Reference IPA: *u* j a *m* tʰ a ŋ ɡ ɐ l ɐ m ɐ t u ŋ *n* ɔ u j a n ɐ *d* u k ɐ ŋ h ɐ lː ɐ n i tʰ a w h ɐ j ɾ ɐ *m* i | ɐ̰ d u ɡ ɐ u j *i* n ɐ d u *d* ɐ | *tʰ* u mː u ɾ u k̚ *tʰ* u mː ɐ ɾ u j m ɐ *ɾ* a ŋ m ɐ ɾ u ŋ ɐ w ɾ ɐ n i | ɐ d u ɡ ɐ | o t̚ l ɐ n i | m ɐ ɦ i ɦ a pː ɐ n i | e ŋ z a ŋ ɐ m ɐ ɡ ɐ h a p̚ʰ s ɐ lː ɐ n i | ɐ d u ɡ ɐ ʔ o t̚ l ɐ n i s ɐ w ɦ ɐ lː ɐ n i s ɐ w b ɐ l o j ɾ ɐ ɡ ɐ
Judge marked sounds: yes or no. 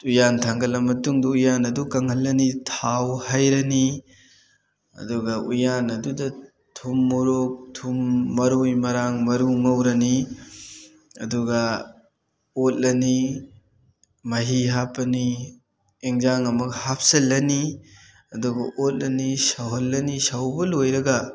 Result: yes, no, no, yes, no, no, yes, yes, yes, yes

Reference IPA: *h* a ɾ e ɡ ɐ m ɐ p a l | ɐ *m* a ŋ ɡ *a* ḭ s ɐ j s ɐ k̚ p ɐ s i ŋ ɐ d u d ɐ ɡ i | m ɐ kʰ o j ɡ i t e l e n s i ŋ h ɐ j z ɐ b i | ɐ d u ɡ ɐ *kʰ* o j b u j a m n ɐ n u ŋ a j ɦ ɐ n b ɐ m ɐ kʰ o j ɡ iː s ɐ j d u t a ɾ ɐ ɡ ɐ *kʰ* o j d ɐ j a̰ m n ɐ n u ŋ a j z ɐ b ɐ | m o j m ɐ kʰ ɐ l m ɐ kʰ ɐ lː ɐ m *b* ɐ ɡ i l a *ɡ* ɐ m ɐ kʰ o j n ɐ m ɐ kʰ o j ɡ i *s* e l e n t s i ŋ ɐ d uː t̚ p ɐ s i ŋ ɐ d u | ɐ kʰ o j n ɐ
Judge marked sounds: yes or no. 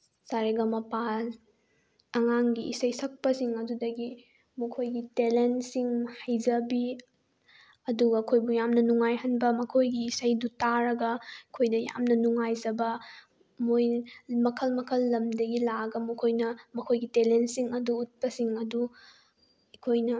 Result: no, no, no, yes, yes, no, yes, no

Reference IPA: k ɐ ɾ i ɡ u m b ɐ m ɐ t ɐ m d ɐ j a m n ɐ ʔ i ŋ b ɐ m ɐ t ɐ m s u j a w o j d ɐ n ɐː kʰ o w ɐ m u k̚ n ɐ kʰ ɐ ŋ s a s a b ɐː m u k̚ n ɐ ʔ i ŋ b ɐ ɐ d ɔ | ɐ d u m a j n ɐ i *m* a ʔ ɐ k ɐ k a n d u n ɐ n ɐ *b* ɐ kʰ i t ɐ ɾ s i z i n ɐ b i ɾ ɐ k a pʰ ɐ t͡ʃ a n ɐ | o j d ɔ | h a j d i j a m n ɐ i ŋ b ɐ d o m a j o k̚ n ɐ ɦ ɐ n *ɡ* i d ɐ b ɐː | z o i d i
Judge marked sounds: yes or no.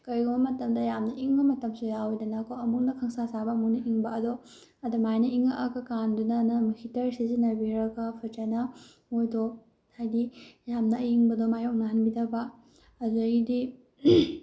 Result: no, no, no

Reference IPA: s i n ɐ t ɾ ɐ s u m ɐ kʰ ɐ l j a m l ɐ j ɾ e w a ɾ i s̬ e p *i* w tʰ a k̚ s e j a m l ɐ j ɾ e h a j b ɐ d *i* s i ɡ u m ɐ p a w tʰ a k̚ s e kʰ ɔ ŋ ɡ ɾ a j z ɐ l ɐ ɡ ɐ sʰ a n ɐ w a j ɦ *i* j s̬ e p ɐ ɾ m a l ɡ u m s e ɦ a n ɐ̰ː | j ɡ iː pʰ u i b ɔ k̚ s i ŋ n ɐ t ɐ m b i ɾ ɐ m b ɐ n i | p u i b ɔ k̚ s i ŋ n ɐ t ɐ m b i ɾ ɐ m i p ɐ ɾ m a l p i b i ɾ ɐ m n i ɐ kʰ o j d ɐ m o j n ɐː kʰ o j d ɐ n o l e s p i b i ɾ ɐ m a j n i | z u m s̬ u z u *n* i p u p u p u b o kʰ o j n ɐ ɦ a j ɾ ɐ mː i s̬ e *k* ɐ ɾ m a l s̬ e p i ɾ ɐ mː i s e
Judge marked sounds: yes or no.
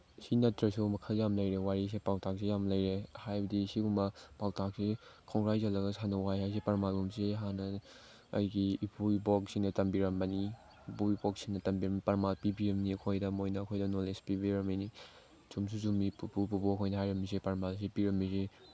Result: no, yes, no, no, no

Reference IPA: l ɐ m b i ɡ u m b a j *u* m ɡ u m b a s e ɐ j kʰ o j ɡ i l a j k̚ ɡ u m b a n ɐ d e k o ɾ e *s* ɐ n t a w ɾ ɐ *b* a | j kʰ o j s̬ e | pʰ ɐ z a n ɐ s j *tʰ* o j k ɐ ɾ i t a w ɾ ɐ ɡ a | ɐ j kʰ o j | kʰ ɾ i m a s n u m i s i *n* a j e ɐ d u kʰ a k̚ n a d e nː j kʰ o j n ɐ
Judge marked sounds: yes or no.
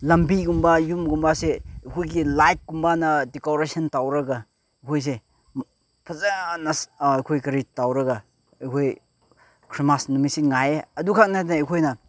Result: yes, yes, no, no, no

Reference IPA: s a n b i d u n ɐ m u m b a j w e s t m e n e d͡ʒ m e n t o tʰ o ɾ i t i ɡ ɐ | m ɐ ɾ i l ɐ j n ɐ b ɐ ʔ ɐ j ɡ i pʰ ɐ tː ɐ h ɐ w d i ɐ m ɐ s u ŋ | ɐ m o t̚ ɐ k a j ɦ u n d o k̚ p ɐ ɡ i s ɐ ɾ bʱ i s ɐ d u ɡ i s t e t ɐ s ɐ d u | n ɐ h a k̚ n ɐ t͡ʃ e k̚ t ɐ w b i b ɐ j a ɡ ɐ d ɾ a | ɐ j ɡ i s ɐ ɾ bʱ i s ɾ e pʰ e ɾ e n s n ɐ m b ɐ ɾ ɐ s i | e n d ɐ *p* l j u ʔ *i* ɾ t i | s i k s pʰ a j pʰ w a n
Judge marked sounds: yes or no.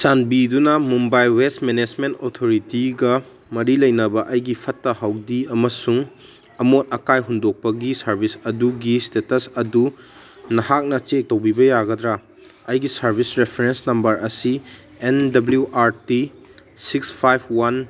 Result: no, no

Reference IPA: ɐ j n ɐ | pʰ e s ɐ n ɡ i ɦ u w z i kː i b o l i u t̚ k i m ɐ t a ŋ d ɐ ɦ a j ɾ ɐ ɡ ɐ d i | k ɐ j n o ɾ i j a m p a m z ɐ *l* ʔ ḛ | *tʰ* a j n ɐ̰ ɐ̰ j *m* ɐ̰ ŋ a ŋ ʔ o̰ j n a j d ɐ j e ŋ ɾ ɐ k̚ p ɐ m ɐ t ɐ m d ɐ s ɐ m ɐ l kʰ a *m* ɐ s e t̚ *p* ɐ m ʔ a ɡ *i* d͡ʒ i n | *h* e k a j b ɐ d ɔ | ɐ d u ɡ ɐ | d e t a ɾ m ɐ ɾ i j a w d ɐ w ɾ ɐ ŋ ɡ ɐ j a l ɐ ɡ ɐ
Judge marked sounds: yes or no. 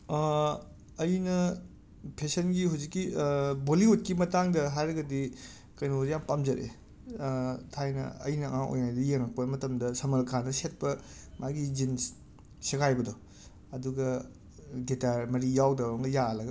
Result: no, yes, no, no, yes, yes, no

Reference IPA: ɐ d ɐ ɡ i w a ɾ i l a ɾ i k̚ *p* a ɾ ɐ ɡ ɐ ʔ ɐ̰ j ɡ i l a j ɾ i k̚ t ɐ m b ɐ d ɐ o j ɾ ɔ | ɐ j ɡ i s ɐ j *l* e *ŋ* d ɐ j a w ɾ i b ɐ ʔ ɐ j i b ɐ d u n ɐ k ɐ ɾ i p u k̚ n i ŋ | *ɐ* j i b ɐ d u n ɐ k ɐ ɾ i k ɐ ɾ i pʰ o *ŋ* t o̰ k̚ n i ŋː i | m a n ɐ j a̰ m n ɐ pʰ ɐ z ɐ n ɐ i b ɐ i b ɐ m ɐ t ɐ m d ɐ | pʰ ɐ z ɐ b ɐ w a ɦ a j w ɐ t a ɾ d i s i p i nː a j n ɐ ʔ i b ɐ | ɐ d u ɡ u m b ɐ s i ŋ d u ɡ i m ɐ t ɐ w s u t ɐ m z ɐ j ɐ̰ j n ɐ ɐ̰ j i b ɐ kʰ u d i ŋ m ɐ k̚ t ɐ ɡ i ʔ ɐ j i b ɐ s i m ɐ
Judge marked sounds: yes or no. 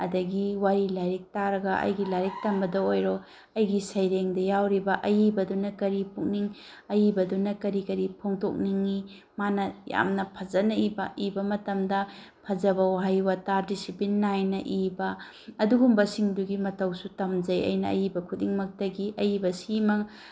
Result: no, no, yes, yes, yes

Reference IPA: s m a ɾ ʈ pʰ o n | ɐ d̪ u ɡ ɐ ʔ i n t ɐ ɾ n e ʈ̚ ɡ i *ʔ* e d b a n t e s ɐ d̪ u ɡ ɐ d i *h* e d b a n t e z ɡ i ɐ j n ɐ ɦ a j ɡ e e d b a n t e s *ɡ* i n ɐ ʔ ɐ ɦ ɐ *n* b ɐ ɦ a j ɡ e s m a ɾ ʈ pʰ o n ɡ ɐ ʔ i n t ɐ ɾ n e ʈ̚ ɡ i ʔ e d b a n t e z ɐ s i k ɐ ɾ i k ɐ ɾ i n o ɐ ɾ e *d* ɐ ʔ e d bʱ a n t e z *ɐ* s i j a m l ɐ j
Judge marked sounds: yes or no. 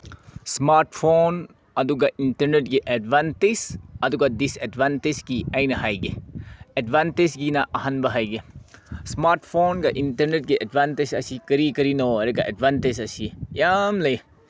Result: yes, no, yes, yes, no, yes

